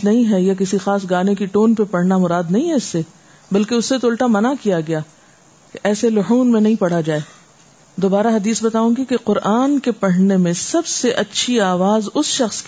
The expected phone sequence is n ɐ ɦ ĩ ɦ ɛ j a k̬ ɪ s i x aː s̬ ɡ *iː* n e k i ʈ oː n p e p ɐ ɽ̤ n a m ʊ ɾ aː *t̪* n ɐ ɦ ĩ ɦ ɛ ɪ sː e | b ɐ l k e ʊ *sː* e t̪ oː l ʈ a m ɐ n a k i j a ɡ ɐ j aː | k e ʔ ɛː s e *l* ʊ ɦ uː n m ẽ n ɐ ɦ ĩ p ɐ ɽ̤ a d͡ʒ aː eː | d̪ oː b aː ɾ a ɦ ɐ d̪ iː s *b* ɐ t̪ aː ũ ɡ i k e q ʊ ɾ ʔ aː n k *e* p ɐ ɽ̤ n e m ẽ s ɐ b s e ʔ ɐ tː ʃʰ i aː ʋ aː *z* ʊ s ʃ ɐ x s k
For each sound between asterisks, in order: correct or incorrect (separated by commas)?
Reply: incorrect, incorrect, correct, correct, correct, correct, correct